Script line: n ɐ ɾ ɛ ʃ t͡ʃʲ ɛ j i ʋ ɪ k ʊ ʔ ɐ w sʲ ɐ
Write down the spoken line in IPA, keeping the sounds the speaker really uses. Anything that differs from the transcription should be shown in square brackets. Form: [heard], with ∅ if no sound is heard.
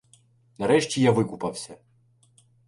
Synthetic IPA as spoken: n ɐ ɾ ɛ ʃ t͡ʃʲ [i] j [a] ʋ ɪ k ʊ [p] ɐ w sʲ ɐ